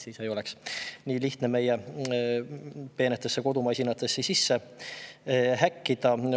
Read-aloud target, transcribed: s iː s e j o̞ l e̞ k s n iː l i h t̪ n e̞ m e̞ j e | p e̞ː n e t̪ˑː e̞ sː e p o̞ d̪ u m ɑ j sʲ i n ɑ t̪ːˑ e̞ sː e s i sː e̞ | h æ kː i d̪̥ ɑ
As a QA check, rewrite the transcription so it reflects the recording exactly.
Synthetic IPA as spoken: s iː s e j o̞ l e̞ k s n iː l i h t̪ n e̞ m e̞ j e | p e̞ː n e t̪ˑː e̞ sː e k o̞ d̪ u m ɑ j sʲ i n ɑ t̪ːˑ e̞ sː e s i sː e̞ | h æ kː i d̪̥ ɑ